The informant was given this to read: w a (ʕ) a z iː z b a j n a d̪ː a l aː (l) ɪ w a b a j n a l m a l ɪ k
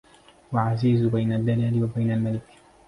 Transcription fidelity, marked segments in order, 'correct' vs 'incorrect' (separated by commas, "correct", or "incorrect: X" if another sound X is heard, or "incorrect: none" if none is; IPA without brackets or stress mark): correct, correct